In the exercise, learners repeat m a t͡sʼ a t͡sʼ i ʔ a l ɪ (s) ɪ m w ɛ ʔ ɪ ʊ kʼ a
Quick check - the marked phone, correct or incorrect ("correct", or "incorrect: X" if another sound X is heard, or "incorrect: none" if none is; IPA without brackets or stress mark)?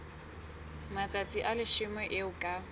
incorrect: ʃ